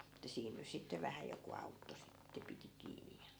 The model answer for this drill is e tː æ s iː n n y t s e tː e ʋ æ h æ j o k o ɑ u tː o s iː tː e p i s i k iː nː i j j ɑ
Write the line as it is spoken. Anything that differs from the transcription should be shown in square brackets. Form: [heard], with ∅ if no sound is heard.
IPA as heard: e tː æ s iː n n y [s] s [i] tː e ʋ æ h æ j o k [u] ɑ u tː o s [i] tː e p i [t] i k iː [n] i j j ɑ